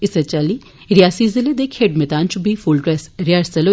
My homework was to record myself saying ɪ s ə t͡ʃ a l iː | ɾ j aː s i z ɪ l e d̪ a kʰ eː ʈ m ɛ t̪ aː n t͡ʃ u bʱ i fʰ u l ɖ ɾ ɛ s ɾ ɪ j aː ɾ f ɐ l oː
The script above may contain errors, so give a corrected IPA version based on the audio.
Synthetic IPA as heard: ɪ s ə t͡ʃ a l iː | ɾ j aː s i z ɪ l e d̪ e kʰ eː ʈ m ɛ t̪ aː n t͡ʃ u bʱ i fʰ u l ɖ ɾ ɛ s ɾ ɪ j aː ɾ s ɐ l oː